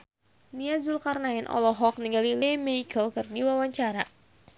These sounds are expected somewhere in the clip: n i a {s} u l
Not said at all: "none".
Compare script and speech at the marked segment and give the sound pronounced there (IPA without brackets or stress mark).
z